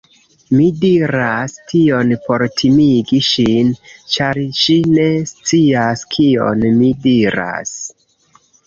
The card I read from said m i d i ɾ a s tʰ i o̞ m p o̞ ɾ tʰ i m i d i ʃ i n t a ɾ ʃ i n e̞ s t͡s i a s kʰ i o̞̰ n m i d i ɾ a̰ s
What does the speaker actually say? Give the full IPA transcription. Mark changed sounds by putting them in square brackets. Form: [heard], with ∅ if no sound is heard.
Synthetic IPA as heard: m i d i ɾ a s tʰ i o̞ [n] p o̞ ɾ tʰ i m i [ɡ] i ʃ i n [t͡ʃ] a ɾ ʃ i n e̞ s t͡s i a s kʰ i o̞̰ n m i d i ɾ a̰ s